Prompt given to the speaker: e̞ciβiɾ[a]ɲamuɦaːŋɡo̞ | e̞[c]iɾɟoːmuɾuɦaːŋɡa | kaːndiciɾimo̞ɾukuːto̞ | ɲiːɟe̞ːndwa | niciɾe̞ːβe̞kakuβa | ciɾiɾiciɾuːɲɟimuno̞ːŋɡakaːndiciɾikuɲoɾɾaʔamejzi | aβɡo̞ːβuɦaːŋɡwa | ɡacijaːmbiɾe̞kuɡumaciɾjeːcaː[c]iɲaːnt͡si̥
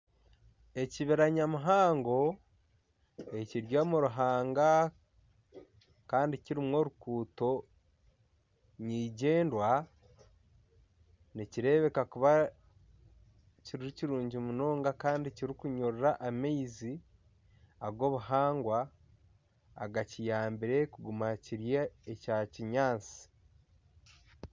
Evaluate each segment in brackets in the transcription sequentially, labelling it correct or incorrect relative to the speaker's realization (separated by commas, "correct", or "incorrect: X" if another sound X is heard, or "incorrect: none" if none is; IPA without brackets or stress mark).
correct, correct, correct